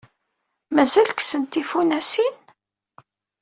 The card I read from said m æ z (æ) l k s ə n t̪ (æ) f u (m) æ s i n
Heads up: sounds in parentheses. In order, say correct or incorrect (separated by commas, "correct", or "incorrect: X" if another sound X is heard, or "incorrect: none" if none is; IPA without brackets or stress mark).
correct, incorrect: i, incorrect: n